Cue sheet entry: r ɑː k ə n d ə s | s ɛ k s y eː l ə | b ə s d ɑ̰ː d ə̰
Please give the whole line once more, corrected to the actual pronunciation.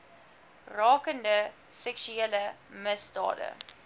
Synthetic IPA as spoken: r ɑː k ə n d ə | s ɛ k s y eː l ə | m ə s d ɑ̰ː d ə̰